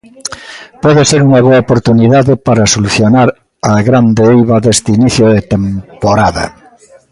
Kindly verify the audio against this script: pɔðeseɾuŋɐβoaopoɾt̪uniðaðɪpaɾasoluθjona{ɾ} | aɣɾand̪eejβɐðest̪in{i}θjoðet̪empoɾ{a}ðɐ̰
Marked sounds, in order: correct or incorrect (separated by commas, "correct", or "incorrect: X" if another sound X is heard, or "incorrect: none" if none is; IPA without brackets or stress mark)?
correct, correct, correct